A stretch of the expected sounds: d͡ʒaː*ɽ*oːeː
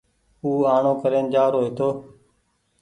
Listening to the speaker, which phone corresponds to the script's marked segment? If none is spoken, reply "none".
ɾ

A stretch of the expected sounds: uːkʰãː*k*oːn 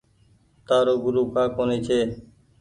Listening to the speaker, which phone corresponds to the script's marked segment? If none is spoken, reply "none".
k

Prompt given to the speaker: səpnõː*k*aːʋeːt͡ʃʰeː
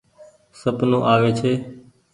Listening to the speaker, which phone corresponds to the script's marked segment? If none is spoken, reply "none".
ʔ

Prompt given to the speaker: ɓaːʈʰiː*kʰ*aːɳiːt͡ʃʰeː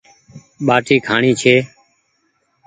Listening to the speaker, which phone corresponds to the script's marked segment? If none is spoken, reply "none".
kʰ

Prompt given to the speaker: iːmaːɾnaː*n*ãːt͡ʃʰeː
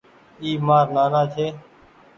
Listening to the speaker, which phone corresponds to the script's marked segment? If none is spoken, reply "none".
n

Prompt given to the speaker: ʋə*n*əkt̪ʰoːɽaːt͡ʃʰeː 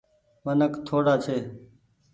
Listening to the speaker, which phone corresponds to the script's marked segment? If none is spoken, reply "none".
n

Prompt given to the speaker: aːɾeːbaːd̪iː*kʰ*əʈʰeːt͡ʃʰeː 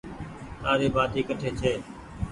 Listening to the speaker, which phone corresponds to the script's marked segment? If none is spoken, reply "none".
k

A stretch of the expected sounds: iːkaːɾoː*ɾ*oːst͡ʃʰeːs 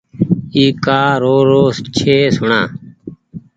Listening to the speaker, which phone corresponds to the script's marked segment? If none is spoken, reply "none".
ɾ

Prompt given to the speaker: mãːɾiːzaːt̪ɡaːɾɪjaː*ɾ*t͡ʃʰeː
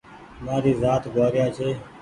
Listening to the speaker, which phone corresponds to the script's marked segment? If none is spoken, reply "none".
none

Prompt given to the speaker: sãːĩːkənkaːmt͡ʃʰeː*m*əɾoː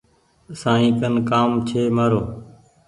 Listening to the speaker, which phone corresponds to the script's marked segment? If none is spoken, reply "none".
m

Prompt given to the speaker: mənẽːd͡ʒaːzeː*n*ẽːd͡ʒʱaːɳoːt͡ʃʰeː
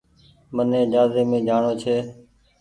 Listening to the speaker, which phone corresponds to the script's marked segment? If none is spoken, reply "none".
m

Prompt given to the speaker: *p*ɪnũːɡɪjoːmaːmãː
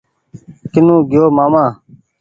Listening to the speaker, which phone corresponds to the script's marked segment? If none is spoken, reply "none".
k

